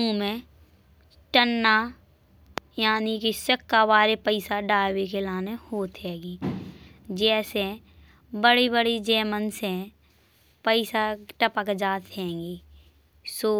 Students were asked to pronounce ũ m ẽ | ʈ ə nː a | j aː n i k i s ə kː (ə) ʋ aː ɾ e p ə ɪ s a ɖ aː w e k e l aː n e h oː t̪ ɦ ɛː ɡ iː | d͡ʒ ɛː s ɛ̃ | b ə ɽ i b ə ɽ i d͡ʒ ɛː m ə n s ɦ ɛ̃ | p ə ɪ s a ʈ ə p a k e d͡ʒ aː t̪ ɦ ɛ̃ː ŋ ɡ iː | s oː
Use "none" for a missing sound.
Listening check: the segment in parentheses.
a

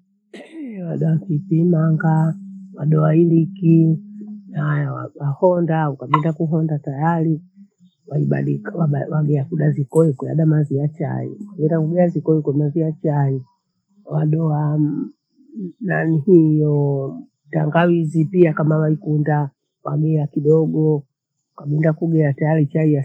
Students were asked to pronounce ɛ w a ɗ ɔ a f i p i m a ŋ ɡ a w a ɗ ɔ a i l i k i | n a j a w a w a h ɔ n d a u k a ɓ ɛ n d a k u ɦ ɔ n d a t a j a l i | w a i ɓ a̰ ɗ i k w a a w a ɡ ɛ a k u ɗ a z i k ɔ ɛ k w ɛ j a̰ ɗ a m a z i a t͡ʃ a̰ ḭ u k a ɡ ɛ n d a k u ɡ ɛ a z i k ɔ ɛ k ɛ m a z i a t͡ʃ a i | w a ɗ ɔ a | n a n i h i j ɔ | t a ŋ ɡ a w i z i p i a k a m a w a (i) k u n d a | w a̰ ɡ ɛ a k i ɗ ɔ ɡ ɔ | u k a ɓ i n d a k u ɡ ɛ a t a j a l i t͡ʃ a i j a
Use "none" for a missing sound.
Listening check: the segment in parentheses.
i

